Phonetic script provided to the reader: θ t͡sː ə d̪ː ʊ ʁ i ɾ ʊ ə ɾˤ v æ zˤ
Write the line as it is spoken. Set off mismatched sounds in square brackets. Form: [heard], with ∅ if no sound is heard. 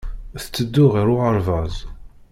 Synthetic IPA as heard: θ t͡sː ə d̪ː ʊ ʁ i ɾ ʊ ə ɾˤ v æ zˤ